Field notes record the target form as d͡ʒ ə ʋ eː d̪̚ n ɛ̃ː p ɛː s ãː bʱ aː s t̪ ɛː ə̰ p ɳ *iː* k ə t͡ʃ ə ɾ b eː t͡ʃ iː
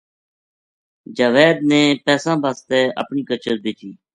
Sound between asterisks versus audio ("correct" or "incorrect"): correct